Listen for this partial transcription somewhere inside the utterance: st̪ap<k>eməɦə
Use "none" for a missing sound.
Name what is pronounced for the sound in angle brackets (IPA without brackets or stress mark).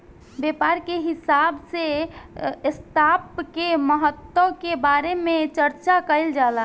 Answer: k